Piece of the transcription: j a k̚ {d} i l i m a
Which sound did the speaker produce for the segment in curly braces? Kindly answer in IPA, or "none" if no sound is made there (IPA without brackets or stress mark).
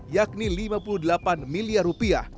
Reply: n